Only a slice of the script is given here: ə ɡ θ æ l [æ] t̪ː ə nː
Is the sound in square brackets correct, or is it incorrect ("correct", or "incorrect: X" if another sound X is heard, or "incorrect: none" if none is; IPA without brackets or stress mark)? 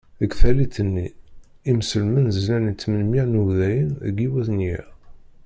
incorrect: i